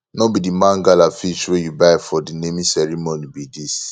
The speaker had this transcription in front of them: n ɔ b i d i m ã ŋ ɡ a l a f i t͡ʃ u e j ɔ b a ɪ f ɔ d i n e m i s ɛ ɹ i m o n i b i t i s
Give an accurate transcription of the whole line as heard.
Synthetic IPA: n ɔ b i d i m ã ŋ ɡ a l a f i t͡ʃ w e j u b a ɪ f ɔ d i n e m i s ɛ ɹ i m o n i b i d i s